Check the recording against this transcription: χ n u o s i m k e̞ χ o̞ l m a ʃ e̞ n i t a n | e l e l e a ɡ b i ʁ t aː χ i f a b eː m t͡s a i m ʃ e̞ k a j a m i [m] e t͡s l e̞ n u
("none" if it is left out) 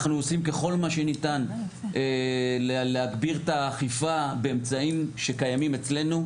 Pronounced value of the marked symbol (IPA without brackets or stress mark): m